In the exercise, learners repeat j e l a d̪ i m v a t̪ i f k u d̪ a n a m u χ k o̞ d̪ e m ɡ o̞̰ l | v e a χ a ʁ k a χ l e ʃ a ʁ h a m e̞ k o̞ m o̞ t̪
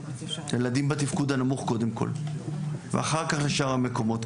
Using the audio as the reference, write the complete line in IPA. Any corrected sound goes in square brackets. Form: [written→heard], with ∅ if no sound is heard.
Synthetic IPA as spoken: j e l a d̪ i m [v→b] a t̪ i f k u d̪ a n a m u χ k o̞ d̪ e m [ɡ→k] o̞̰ l | v e a χ a ʁ k a χ l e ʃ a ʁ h a m e̞ k o̞ m o̞ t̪